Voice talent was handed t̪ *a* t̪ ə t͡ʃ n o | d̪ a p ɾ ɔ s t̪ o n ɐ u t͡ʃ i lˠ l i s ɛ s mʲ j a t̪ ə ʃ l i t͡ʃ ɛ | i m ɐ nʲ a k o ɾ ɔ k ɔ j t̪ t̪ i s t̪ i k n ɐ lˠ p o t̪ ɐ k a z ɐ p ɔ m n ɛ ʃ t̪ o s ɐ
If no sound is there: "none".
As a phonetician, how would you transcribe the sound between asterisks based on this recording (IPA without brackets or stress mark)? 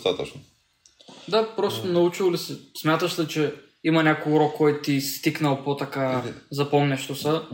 a